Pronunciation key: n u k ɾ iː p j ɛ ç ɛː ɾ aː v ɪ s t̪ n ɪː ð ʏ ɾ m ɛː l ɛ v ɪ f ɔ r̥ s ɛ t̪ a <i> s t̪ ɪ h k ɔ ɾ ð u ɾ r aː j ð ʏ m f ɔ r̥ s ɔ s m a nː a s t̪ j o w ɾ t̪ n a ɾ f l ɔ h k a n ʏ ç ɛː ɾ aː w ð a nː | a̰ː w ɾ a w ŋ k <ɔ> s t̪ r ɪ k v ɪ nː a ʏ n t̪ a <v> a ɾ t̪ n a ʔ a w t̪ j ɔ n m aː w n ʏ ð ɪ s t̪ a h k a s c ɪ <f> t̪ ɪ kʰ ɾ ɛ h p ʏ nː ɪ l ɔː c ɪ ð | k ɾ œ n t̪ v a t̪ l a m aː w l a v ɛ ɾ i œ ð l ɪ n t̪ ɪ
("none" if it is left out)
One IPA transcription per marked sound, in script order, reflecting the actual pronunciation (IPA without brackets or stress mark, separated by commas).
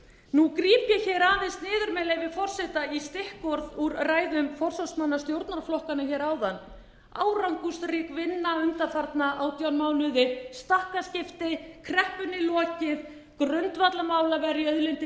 i, u, f, f